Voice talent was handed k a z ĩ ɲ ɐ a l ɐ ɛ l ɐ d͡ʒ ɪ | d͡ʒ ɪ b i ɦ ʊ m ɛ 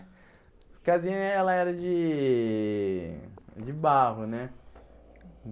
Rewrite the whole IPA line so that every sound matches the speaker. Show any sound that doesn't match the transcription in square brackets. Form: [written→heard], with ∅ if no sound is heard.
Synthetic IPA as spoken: k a z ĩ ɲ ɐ [a→ɛ] l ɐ ɛ [l→ɾ] ɐ d͡ʒ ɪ | d͡ʒ ɪ b [i→a] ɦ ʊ [m→n] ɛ